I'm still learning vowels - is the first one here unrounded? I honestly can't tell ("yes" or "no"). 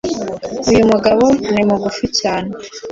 no